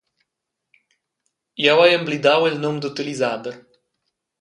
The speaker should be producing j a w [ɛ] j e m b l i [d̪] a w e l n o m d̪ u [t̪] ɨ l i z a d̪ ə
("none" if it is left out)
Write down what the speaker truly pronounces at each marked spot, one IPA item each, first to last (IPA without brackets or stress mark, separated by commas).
a, d̪, t̪